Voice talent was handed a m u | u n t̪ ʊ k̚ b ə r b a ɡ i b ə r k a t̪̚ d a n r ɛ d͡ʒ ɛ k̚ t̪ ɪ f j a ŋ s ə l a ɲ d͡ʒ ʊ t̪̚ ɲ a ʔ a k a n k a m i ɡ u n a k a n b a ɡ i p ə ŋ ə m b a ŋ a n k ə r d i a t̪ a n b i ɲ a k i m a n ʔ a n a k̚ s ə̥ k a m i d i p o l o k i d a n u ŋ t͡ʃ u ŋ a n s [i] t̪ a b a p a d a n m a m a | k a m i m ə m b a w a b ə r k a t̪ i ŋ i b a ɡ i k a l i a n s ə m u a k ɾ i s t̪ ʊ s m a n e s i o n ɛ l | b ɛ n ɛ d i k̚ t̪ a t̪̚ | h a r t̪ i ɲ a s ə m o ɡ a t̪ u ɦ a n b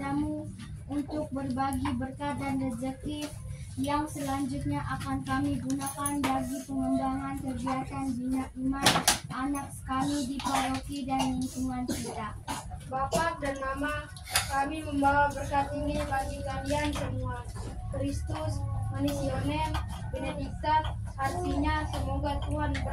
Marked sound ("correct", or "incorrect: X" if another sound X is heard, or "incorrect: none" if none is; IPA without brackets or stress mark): correct